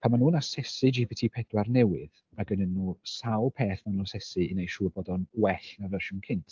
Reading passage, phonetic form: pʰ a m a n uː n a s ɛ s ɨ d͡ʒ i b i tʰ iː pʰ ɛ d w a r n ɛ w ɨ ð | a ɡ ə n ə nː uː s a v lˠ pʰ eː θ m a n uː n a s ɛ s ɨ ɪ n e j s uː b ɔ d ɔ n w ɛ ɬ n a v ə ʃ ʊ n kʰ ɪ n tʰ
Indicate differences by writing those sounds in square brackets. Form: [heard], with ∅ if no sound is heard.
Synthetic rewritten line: pʰ a m a n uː n a s ɛ s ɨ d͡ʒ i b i tʰ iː pʰ ɛ d w a r n ɛ w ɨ ð | a ɡ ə n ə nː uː s a [w] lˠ pʰ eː θ m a n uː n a s ɛ s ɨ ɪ n e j [ʃ] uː b ɔ d ɔ n w ɛ ɬ n a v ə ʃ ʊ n kʰ ɪ n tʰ